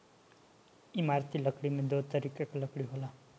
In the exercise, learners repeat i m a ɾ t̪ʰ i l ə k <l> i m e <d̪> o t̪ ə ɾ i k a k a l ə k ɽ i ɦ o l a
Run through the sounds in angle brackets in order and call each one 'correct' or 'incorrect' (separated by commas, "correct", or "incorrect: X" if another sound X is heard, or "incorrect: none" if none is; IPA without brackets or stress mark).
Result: incorrect: ɽ, correct